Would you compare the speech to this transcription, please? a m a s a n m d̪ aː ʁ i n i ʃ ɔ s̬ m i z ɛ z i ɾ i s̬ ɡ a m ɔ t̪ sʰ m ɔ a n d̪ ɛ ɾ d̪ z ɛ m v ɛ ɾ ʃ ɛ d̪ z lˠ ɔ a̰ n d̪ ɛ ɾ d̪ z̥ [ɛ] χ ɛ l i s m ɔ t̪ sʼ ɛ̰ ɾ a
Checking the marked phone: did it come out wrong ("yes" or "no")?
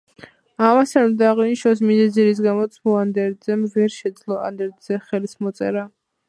no